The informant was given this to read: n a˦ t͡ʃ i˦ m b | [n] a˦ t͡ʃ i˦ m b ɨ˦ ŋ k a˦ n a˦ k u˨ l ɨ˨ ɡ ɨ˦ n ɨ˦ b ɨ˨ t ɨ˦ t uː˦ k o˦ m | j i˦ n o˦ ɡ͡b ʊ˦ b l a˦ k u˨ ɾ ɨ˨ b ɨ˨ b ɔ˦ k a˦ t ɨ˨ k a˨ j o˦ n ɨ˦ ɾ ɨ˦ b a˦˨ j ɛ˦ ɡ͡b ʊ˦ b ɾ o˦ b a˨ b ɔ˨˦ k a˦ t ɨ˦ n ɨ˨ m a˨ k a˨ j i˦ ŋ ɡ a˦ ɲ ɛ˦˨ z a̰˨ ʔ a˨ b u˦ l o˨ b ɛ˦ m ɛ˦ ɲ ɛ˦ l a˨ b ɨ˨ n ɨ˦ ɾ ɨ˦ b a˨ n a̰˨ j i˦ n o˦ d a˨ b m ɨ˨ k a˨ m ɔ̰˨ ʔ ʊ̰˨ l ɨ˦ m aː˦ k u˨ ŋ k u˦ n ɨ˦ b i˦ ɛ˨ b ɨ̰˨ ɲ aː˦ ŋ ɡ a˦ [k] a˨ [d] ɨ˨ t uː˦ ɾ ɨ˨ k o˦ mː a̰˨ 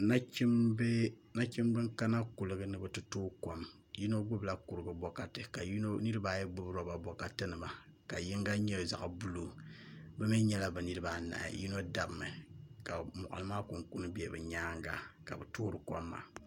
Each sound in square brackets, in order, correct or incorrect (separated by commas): correct, correct, incorrect